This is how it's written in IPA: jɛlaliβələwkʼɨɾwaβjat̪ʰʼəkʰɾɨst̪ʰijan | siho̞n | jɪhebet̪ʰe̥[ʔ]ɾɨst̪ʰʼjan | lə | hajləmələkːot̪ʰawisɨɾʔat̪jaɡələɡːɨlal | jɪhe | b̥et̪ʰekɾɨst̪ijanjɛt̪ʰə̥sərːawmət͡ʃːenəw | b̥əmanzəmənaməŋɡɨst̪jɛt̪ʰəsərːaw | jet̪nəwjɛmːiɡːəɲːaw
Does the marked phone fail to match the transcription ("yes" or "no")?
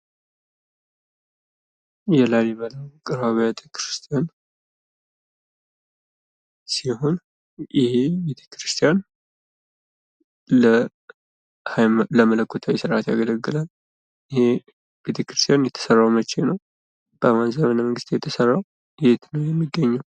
yes